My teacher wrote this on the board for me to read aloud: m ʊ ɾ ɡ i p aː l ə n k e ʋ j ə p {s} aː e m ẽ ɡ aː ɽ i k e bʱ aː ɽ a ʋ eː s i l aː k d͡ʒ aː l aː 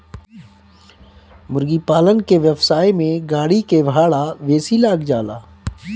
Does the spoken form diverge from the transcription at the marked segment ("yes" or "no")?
no